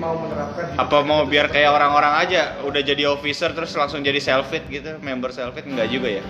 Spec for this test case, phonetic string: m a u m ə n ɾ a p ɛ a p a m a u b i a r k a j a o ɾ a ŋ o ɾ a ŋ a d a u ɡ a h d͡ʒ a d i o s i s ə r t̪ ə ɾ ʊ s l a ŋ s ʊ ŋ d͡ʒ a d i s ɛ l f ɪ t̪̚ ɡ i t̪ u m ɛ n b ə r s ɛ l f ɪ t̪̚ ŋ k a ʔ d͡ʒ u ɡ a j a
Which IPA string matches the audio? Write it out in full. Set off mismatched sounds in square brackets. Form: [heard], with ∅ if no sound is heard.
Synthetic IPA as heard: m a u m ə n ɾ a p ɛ a p a m a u b i a r k a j a o ɾ a ŋ o ɾ a ŋ a [d͡ʒ] a u [d] a h d͡ʒ a d i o [f] i s ə r t̪ ə ɾ ʊ s l a ŋ s ʊ ŋ d͡ʒ a d i s ɛ l f ɪ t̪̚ ɡ i t̪ u m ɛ [m] b ə r s ɛ l f ɪ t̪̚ ŋ [ɡ] a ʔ d͡ʒ u ɡ a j a